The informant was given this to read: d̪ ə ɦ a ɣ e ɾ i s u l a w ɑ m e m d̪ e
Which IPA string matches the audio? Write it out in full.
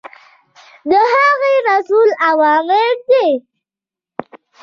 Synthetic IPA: d̪ ə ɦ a ɣ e ɾ a s u l a w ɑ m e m d̪ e